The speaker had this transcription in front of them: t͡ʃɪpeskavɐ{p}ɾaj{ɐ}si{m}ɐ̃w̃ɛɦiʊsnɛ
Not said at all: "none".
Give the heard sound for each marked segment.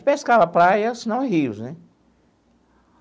p, ɐ, n

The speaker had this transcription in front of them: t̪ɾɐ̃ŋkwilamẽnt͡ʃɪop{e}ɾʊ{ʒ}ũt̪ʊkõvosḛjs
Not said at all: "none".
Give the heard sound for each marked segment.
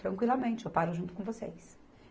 a, ʒ

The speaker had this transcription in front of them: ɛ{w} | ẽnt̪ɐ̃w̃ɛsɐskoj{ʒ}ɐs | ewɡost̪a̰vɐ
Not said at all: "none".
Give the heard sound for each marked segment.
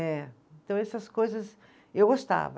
none, z

